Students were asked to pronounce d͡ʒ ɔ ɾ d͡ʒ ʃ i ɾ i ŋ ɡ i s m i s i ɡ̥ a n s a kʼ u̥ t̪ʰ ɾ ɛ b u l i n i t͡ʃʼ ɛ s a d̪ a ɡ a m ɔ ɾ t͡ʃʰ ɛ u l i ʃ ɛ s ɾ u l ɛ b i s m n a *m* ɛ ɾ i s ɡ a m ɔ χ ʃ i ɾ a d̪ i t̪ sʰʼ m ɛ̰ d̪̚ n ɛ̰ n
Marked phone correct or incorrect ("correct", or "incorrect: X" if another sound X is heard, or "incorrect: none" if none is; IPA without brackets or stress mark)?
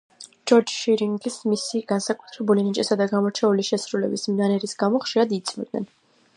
incorrect: n